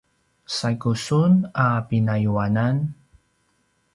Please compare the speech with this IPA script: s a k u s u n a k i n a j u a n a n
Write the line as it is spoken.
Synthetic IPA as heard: s a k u s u n a p i n a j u a n a n